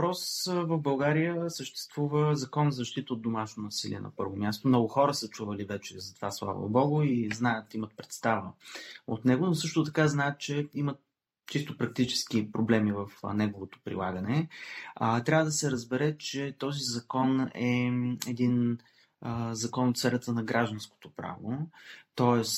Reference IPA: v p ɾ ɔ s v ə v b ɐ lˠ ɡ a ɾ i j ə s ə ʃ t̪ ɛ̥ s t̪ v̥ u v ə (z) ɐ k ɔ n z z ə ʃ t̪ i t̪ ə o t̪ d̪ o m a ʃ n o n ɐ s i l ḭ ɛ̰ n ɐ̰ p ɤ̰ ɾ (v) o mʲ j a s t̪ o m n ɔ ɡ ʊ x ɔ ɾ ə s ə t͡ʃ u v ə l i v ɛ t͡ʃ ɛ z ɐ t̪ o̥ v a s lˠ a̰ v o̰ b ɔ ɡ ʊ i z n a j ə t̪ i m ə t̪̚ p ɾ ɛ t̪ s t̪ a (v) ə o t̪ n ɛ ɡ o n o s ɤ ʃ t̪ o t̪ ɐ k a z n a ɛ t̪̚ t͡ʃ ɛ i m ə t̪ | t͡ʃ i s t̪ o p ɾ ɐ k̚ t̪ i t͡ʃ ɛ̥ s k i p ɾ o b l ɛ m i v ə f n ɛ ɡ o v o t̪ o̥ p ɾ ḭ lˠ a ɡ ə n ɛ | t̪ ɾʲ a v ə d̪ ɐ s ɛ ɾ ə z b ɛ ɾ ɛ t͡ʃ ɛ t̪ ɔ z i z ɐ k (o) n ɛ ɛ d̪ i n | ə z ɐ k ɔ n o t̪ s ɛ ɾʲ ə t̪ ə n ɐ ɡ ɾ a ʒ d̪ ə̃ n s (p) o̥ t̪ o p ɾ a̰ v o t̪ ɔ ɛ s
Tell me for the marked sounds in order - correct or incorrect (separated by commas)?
correct, correct, correct, incorrect, incorrect